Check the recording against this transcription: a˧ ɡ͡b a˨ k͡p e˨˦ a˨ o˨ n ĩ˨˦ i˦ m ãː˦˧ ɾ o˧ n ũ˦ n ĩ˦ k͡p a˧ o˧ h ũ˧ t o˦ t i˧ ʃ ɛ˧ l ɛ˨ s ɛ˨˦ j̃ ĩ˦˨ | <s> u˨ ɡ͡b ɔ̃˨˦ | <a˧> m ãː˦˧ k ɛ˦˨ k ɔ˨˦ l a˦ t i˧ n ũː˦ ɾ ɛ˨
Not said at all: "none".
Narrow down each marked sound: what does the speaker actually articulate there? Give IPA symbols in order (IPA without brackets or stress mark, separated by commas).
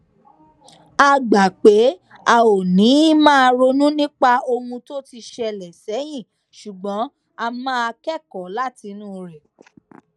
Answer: ʃ, a˧